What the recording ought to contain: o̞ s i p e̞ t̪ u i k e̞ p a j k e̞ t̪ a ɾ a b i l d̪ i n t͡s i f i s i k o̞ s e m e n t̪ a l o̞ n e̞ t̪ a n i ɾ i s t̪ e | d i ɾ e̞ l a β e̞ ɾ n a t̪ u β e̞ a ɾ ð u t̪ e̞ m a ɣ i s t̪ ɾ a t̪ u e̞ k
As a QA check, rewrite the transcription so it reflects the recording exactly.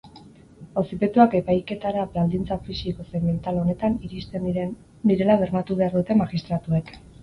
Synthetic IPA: o̞ s i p e̞ t̪ u a k e̞ p a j k e̞ t̪ a ɾ a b a l d̪ i n t͡s a f i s i k o̞ s e m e n t̪ a l o̞ n e̞ t̪ a n i ɾ i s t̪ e | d i ɾ e̞ l a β e̞ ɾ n a t̪ u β e̞ a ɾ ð u t̪ e̞ m a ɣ i s t̪ ɾ a t̪ u e̞ k